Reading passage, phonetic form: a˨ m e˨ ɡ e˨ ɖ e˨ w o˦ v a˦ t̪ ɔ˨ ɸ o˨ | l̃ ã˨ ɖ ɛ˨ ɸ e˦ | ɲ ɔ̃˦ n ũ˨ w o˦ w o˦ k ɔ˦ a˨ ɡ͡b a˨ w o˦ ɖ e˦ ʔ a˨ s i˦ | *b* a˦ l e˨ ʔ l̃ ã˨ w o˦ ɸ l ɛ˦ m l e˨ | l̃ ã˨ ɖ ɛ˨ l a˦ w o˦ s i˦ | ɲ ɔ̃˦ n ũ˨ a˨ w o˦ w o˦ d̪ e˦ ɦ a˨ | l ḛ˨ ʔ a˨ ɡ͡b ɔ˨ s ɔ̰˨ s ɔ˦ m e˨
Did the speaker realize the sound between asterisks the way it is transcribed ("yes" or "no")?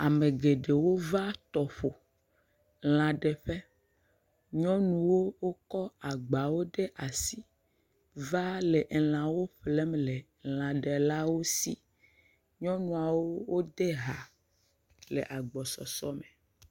no